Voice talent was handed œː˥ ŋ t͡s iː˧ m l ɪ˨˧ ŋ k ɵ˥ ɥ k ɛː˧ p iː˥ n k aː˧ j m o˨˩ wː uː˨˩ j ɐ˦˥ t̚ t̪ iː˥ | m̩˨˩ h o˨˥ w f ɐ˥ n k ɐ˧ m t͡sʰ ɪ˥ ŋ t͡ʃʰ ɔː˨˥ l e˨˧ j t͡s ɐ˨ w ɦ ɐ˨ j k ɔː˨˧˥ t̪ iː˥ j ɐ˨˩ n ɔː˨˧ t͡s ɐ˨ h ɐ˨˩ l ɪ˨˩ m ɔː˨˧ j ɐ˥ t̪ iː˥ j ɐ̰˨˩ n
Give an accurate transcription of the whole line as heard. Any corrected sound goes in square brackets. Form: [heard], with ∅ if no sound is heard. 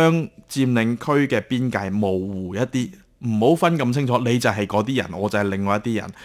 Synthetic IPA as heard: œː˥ ŋ t͡s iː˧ m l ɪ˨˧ ŋ [kʰ] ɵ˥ ɥ k ɛː˧ p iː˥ n k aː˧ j m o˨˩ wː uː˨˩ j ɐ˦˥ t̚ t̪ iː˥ | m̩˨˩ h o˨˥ w f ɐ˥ n k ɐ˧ m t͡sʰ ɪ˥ ŋ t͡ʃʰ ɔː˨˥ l e˨˧ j t͡s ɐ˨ w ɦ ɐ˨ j k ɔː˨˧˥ t̪ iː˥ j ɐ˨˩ n ɔː˨˧ t͡s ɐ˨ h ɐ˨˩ l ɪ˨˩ [ŋ] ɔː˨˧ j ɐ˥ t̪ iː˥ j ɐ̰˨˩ n